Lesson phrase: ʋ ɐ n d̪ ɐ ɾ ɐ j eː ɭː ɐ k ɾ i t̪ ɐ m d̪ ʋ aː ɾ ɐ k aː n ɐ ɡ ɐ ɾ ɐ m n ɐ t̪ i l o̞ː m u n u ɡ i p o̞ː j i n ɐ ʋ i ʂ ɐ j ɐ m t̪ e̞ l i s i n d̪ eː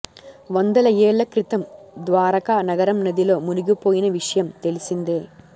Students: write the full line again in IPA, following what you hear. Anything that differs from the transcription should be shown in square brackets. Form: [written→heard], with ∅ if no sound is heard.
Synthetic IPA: ʋ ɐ n d̪ ɐ [ɾ→l] ɐ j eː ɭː ɐ k ɾ i t̪ ɐ m d̪ ʋ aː ɾ ɐ k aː n ɐ ɡ ɐ ɾ ɐ m n ɐ [t̪→d̪] i l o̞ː m u n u ɡ i p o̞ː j i n ɐ ʋ i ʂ ɐ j ɐ m t̪ e̞ l i s i n d̪ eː